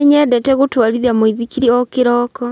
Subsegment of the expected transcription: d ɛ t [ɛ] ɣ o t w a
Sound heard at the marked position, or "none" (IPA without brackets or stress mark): ɛ